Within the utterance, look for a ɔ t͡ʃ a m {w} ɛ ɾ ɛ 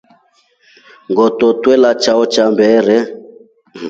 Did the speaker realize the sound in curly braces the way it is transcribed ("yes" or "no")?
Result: no